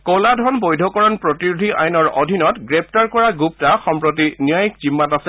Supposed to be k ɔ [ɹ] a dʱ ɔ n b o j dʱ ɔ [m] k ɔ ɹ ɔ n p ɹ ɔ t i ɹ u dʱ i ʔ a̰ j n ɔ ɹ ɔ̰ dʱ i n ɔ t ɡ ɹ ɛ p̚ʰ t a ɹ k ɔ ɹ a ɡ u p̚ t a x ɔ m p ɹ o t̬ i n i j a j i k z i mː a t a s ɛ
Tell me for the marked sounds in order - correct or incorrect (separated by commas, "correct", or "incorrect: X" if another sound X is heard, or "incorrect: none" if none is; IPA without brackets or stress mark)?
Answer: incorrect: l, incorrect: none